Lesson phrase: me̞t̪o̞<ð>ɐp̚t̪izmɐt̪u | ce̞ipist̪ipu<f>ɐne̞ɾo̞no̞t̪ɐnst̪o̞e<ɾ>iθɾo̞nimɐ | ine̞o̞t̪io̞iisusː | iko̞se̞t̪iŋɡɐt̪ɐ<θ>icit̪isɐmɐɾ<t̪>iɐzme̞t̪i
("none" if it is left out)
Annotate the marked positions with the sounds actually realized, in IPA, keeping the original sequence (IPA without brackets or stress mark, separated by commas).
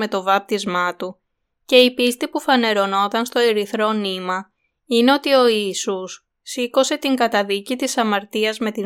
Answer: v, f, ɾ, ð, t̪